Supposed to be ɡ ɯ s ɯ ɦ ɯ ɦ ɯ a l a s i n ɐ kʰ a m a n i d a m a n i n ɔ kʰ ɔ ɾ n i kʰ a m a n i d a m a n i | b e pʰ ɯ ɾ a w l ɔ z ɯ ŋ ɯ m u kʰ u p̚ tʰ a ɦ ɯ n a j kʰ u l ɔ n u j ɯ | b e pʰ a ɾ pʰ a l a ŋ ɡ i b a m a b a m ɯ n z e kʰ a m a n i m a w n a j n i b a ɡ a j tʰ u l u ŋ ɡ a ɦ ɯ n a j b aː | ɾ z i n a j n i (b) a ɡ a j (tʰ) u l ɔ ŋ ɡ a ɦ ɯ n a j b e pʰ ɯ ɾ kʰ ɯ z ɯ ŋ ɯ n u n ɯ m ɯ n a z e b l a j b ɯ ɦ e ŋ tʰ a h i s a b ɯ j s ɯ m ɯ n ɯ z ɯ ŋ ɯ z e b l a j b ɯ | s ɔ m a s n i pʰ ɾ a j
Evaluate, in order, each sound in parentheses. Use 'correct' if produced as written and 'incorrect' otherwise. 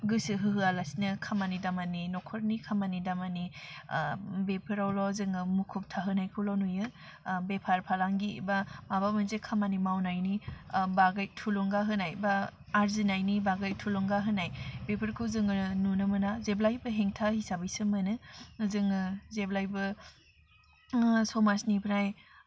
correct, correct

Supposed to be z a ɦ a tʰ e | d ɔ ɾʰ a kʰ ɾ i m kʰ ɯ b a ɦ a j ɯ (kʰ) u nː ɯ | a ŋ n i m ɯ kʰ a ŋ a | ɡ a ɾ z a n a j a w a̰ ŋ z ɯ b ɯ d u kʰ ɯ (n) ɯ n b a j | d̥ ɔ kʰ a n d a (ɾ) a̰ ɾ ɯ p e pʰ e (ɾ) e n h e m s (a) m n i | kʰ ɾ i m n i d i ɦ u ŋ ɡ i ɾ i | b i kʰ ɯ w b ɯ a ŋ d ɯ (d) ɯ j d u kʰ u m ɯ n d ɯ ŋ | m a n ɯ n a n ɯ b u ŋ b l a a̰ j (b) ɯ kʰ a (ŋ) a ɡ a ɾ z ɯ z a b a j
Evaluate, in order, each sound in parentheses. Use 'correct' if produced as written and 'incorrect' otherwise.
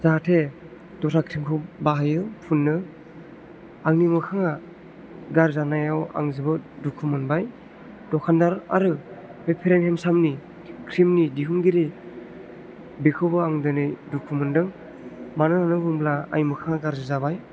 incorrect: pʰ, incorrect: m, correct, correct, correct, incorrect: n, incorrect: m, correct

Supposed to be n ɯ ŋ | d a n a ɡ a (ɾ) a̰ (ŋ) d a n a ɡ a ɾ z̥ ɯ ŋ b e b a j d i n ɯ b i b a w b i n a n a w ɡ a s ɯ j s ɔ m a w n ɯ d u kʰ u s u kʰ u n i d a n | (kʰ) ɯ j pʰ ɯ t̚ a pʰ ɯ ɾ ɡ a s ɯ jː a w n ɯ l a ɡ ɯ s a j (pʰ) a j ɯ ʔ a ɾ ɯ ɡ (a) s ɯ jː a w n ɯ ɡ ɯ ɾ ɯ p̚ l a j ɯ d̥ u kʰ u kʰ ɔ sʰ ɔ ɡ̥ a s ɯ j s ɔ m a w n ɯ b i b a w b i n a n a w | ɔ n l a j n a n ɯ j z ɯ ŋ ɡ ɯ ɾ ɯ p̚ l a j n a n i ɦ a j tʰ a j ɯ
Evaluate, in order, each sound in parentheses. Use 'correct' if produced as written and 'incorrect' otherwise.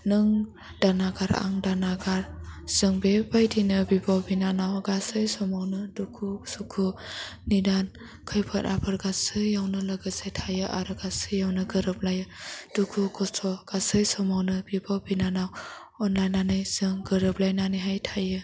correct, correct, correct, incorrect: tʰ, correct

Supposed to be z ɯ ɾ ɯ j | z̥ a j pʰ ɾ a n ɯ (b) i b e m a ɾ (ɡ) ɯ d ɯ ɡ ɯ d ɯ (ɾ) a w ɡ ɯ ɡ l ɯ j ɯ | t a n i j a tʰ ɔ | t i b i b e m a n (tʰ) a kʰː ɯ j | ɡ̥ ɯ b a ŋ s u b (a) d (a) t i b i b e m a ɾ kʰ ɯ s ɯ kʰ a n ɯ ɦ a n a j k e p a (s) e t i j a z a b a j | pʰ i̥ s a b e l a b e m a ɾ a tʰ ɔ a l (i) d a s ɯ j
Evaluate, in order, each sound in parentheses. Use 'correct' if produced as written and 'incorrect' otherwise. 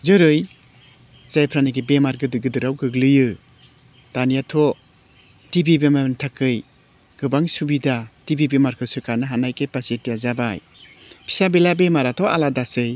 incorrect: ɡ, correct, correct, correct, incorrect: i, correct, correct, incorrect: a

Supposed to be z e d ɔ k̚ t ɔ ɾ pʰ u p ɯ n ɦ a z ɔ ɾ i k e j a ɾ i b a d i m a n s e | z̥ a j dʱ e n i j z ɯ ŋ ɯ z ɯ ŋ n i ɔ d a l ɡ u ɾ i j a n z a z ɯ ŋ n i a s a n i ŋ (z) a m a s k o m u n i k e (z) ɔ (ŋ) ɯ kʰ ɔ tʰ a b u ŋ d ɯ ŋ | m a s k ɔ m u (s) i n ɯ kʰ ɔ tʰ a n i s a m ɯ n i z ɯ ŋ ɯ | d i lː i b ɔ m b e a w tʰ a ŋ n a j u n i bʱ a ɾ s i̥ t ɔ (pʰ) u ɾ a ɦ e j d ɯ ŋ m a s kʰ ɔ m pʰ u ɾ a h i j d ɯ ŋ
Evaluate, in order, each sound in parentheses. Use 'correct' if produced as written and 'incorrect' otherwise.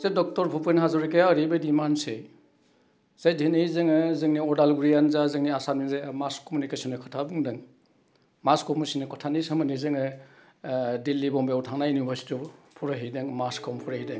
correct, incorrect: s, incorrect: n, correct, correct

